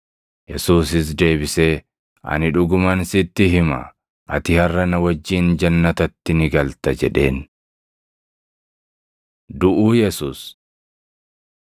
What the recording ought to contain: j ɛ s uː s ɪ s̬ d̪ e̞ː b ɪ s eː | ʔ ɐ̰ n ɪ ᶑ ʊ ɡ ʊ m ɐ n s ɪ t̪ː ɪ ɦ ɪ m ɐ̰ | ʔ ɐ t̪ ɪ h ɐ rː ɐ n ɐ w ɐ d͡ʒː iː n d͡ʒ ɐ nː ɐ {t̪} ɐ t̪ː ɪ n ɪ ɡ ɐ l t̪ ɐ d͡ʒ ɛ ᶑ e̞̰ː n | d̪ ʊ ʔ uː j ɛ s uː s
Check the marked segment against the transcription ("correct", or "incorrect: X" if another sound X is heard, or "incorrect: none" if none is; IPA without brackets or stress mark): correct